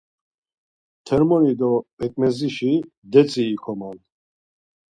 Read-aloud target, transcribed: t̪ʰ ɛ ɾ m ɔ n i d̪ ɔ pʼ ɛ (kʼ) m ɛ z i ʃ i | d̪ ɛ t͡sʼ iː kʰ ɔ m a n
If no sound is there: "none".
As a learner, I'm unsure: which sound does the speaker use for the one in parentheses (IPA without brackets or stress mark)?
kʼ